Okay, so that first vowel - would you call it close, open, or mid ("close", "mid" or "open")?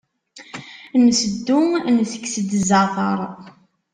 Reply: mid